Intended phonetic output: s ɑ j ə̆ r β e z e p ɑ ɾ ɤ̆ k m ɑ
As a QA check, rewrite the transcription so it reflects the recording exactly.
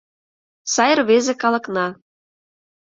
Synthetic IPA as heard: s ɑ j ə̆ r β e z e k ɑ l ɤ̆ k n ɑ